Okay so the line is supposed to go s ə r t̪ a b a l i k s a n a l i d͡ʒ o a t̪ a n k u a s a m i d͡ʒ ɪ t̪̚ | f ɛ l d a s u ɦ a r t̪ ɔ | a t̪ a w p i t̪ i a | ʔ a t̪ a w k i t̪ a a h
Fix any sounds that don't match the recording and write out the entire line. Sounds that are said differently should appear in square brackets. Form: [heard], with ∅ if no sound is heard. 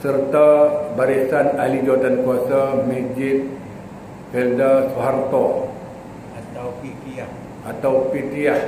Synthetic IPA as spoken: s ə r t̪ a b a [ɾ] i [∅] s a n a l i d͡ʒ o a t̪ a n k u a s a m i d͡ʒ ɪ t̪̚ | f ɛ l d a s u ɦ a r t̪ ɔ | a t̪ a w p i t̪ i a | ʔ a t̪ a w [p] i t̪ [i] a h